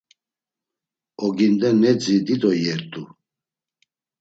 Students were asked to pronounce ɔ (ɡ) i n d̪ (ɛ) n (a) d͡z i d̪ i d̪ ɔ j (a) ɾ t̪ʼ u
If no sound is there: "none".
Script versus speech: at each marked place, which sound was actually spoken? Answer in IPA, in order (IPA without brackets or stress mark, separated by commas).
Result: ɡ, ɛ, ɛ, ɛ